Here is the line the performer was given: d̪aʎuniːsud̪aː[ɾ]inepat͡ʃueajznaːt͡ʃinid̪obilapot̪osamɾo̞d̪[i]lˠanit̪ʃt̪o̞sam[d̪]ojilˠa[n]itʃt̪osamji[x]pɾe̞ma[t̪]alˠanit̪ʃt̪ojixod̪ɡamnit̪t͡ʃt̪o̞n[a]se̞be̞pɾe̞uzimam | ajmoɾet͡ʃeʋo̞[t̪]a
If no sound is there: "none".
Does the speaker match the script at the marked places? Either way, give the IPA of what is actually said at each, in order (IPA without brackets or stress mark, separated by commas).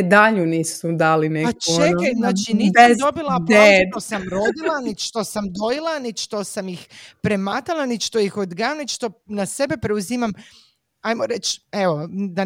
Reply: l, i, d̪, n, x, t̪, a, d̪